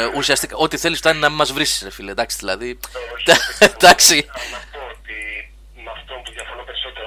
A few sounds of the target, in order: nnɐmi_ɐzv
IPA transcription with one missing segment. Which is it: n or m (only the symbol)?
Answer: m